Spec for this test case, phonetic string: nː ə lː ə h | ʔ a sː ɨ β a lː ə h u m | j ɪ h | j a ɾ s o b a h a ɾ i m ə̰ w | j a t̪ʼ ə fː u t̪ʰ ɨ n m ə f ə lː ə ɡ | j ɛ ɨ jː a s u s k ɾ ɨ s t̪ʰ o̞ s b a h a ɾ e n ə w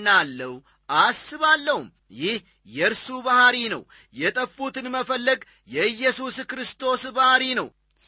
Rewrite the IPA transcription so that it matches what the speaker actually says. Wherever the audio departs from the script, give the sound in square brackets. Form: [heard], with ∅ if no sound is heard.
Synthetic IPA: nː [a] lː ə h | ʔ a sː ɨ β a lː ə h u m | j ɪ h | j [ɛ] ɾ s [u] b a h a ɾ i [n] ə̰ w | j [ɛ] t̪ʼ ə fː u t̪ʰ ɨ n m ə f ə lː ə ɡ | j ɛ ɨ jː [ɛ] s u s k ɾ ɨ s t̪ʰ o̞ s b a h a ɾ [i] n ə w